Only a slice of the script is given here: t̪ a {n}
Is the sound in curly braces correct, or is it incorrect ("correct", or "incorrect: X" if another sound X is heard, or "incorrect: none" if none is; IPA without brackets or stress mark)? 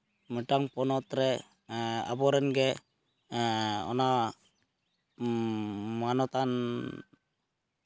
correct